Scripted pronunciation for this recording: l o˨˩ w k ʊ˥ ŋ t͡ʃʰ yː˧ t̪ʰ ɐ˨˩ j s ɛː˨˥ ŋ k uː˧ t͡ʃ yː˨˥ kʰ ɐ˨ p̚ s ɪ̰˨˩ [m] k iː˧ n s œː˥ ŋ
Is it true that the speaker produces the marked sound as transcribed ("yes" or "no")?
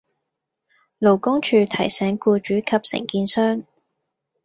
no